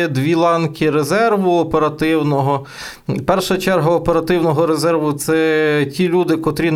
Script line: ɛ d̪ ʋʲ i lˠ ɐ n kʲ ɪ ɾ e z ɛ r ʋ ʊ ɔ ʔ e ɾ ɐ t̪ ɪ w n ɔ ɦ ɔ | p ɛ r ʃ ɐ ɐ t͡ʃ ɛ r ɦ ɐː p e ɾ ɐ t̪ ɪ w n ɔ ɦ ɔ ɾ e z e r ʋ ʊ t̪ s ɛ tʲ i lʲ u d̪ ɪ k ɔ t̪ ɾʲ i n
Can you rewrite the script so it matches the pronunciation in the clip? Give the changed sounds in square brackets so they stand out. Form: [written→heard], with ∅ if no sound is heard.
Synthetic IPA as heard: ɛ d̪ ʋʲ i lˠ [ɐ→ɑ] n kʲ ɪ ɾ e z ɛ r ʋ ʊ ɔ [ʔ→p] e ɾ ɐ t̪ ɪ w n ɔ ɦ ɔ | p ɛ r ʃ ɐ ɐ t͡ʃ ɛ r ɦ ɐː p e ɾ ɐ t̪ ɪ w n ɔ ɦ ɔ ɾ e z [e→ɛ] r ʋ ʊ t̪ s ɛ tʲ i lʲ u d̪ ɪ k ɔ t̪ ɾʲ i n